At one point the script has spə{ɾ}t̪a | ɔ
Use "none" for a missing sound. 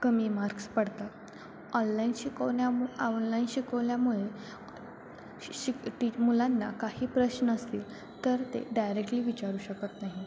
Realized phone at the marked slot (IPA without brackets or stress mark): ɽ